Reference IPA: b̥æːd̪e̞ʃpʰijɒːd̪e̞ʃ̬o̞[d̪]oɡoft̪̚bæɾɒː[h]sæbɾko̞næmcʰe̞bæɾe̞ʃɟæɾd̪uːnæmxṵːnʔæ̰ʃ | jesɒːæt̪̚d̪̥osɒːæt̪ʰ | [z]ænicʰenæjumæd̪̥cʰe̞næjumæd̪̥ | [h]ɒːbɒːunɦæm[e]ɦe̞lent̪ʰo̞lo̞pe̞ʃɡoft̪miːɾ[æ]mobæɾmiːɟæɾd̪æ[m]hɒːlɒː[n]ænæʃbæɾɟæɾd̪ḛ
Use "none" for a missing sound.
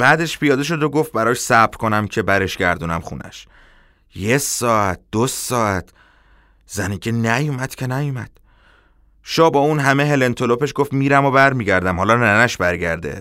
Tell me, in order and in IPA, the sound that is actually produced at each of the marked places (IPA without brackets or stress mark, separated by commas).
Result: d̪, ʃ, z, ʃ, e, æ, m, n